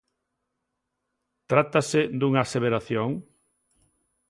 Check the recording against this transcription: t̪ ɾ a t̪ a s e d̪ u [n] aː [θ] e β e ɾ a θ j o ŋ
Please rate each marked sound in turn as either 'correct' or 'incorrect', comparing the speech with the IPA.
incorrect, incorrect

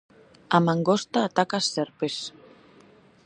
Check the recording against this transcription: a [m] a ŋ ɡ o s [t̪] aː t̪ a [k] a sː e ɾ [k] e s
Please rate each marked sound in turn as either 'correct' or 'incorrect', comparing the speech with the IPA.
correct, correct, correct, incorrect

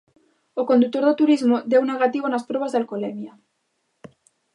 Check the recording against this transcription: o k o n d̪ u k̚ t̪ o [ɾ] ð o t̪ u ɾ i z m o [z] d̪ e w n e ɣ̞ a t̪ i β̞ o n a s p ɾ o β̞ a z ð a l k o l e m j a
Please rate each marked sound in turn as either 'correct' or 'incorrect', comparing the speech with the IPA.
correct, incorrect

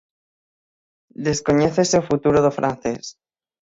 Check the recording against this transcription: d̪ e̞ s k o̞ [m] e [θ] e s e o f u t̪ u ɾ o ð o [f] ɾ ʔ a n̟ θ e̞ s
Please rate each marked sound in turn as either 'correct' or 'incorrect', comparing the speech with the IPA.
incorrect, correct, correct

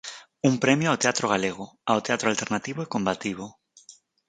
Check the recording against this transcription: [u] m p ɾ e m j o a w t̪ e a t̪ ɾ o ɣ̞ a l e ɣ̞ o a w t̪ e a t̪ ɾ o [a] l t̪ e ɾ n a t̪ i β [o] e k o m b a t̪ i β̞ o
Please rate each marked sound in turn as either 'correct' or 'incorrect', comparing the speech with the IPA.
correct, correct, correct

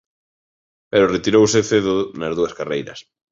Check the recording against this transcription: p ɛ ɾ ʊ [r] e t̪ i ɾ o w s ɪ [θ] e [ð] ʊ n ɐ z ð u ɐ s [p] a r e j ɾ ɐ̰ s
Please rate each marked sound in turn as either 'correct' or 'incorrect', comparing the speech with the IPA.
correct, correct, correct, incorrect

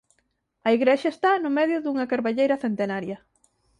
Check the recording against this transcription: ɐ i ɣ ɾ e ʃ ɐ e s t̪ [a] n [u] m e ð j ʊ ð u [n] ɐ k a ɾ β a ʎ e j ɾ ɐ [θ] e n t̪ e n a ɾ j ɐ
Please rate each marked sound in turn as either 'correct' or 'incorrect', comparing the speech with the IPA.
correct, incorrect, incorrect, correct

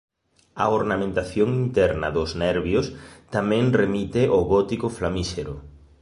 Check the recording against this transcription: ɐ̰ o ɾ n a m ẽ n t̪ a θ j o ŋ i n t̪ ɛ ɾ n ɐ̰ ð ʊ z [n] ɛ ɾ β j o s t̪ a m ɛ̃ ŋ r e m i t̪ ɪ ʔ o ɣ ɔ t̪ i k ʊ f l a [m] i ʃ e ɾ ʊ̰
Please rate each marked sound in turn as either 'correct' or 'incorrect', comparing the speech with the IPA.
correct, correct

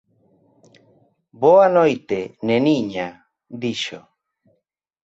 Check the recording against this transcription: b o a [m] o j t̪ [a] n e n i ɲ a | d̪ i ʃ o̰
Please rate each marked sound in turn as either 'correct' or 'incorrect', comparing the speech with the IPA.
incorrect, incorrect

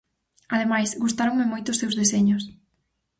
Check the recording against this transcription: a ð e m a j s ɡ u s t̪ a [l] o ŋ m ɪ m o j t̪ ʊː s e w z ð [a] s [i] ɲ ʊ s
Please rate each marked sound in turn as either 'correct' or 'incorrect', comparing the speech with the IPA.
incorrect, incorrect, incorrect

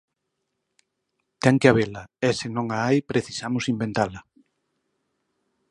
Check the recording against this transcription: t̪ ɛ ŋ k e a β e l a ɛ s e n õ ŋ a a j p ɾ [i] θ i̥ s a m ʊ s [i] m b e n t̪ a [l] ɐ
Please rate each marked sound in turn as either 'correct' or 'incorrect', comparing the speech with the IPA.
incorrect, correct, correct

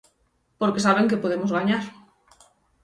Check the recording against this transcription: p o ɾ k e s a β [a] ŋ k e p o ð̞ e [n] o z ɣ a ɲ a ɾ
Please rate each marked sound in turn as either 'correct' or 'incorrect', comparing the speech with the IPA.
incorrect, incorrect

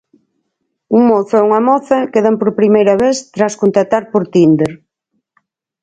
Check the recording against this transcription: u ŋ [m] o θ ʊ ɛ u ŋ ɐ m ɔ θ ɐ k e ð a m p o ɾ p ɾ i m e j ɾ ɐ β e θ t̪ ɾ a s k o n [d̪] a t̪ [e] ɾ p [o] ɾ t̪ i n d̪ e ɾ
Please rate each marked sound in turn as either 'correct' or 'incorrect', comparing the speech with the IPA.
correct, incorrect, incorrect, correct

